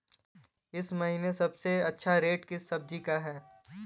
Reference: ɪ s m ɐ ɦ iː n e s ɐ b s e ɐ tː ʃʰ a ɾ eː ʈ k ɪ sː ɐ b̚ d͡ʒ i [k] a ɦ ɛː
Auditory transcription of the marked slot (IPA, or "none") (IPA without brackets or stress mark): k